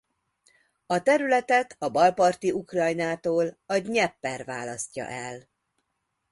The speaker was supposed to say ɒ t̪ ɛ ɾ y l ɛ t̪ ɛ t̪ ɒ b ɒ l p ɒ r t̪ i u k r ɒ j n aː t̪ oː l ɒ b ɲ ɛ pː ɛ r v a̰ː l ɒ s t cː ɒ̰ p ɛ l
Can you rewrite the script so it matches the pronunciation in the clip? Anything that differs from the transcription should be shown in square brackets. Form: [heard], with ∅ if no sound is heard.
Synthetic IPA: ɒ t̪ ɛ ɾ y l ɛ t̪ ɛ t̪ ɒ b ɒ l p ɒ r t̪ i u k r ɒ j n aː t̪ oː l ɒ [ɟ] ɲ ɛ pː ɛ r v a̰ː l ɒ s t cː ɒ̰ [ʔ] ɛ l